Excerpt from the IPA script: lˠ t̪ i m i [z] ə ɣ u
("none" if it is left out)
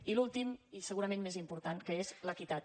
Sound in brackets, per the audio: s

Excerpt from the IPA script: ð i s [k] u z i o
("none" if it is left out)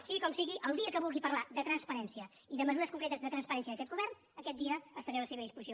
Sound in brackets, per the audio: p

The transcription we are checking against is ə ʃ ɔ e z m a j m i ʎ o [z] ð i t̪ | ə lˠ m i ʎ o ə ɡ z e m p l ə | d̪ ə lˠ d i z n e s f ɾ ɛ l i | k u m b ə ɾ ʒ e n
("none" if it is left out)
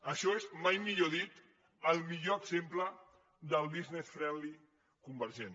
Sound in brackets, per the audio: none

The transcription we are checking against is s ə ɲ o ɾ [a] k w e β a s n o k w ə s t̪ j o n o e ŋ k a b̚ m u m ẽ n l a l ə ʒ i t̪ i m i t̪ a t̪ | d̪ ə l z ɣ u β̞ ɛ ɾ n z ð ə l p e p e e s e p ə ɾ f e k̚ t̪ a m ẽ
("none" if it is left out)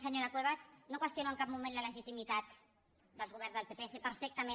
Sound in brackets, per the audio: a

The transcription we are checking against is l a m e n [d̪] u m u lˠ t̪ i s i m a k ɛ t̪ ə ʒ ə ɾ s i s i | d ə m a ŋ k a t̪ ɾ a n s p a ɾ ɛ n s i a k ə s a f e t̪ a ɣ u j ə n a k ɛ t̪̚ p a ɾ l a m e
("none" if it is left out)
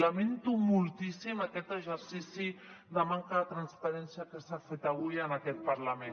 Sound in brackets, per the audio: t̪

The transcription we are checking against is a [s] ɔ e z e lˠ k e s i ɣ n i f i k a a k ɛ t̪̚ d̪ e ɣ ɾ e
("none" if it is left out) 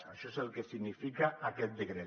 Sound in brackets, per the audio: ʃ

